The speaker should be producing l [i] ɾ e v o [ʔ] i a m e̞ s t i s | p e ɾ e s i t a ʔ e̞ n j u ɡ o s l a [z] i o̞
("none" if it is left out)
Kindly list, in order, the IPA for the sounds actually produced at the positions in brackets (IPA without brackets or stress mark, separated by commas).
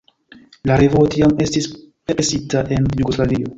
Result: a, t, v